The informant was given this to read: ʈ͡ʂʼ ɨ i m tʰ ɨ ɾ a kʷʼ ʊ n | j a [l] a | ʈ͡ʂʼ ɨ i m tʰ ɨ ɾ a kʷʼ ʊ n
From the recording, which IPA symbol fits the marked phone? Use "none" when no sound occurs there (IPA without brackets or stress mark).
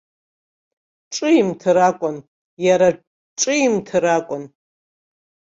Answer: ɾ